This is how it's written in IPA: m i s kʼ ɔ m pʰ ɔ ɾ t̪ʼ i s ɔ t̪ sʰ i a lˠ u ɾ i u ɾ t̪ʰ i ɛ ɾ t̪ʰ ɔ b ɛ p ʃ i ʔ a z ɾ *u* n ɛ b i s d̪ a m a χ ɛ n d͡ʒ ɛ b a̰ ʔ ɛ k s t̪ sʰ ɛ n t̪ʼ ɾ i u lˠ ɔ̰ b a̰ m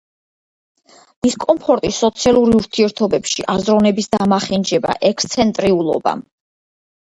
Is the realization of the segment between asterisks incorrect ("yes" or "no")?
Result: yes